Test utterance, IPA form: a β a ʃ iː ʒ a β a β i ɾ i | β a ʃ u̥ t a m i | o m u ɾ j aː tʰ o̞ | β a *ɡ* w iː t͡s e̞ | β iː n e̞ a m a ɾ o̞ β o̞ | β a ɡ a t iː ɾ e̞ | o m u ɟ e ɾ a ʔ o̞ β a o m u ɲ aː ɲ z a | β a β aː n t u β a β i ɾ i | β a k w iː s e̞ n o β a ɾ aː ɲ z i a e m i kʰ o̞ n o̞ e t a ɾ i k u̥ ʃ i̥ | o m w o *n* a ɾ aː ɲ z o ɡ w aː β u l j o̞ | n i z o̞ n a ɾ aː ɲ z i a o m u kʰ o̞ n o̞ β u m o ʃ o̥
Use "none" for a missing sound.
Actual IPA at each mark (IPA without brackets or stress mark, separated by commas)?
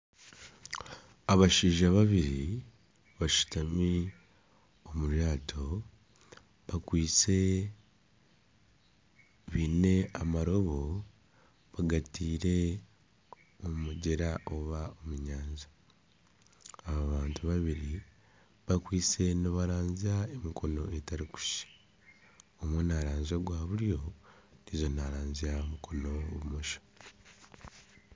k, n